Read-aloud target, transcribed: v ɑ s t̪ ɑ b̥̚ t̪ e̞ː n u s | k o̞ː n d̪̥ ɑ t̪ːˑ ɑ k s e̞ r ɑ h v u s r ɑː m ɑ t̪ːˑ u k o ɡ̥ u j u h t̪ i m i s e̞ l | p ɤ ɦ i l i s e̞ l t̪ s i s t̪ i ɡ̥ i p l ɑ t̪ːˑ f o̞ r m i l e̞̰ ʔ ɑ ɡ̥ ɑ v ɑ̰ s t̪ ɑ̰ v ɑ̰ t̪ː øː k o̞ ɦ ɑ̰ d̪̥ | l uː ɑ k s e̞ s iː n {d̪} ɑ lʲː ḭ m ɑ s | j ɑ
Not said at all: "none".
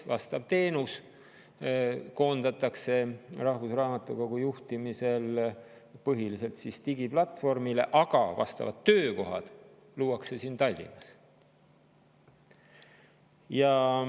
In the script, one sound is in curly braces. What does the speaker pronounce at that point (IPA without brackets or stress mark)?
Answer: t̪